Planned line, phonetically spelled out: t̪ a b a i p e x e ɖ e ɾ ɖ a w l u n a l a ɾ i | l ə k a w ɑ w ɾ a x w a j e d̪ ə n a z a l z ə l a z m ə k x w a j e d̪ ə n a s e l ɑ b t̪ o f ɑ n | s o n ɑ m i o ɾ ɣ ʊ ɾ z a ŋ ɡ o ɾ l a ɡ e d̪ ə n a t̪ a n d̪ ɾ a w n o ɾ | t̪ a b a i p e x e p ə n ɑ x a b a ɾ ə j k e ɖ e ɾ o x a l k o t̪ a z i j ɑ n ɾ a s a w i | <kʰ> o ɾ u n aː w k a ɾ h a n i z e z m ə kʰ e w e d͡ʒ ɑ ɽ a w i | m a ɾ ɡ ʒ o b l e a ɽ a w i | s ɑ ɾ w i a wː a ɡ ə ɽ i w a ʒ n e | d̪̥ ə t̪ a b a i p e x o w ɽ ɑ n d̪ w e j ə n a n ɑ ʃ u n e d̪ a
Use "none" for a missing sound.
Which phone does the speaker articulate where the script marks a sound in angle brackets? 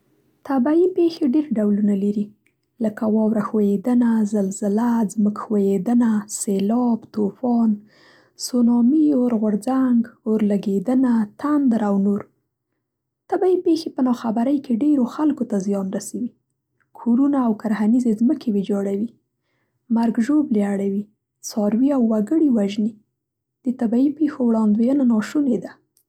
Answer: kʰ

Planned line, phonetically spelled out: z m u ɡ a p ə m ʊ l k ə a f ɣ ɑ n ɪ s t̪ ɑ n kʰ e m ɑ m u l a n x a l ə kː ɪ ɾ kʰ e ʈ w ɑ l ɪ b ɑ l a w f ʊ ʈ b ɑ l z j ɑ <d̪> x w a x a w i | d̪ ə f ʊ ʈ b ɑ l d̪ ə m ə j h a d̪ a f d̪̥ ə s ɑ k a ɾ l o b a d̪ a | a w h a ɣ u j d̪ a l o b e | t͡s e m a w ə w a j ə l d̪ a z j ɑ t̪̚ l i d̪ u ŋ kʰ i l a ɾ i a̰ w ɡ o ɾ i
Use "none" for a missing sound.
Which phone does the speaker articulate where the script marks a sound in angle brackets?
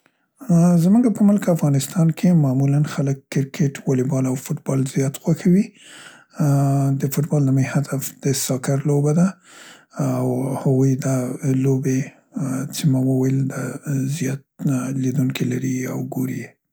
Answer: t̪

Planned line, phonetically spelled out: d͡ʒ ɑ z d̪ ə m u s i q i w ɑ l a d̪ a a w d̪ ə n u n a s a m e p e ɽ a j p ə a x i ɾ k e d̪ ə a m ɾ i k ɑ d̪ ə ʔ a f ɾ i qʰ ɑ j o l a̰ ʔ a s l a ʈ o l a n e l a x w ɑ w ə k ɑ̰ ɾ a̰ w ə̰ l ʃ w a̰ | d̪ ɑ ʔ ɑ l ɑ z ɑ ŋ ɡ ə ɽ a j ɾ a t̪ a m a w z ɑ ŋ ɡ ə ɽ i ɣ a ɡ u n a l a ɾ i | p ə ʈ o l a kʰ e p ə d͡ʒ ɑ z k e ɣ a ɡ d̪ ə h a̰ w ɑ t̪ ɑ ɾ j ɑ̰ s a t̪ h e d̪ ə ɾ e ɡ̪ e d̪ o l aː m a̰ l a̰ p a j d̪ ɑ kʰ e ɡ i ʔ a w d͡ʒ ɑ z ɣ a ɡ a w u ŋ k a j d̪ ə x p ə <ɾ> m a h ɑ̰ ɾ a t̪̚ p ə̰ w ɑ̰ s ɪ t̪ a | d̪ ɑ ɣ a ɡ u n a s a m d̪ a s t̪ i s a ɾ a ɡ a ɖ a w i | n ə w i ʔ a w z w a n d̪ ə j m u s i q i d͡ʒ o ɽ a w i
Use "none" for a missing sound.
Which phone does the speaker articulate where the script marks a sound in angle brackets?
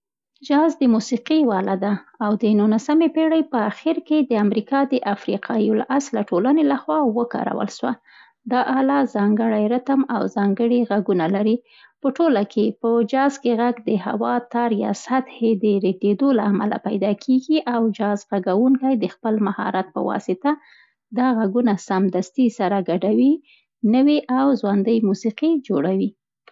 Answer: l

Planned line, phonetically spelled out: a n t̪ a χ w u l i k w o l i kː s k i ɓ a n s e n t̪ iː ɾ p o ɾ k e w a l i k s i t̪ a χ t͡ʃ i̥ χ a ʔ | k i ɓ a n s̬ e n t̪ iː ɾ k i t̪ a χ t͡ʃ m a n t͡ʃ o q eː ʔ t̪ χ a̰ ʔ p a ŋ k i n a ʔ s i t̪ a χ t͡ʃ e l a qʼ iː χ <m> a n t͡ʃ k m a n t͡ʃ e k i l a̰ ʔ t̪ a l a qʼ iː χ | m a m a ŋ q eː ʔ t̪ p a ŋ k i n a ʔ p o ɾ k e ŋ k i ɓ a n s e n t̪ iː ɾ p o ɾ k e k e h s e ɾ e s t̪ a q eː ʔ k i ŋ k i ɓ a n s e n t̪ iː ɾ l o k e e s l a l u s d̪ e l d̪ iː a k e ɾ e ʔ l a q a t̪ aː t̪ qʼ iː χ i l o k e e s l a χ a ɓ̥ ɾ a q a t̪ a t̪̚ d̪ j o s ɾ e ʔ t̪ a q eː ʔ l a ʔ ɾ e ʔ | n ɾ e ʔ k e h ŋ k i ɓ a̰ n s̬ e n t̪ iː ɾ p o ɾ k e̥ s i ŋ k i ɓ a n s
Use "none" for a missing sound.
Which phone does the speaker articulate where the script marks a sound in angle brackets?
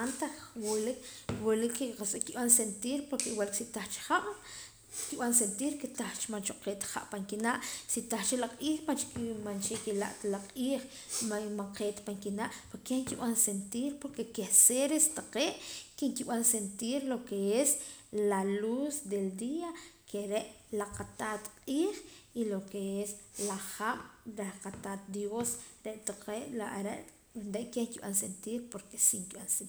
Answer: m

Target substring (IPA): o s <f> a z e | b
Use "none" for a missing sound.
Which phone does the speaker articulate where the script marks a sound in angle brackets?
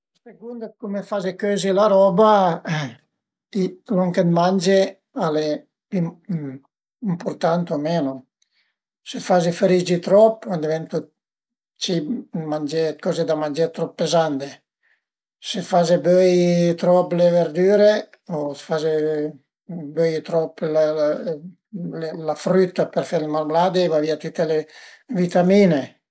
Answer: f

